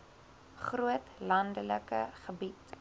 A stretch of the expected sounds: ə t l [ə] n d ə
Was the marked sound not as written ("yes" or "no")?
yes